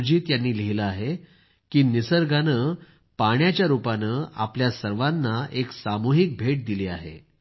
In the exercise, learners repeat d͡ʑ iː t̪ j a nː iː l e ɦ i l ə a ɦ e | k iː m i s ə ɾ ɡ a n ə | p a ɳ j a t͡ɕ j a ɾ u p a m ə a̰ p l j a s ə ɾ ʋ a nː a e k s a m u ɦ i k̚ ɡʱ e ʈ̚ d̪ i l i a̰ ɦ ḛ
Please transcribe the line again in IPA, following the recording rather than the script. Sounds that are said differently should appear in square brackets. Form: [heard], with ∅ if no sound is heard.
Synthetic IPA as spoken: d͡ʑ iː t̪ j a nː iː l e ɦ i l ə a ɦ e | k iː [n] i s ə ɾ ɡ a n ə | p a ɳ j a t͡ɕ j a ɾ u p a [n] ə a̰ p l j a s ə ɾ ʋ a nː a e k s a m u ɦ i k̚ [bʱ] e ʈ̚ d̪ i l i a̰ ɦ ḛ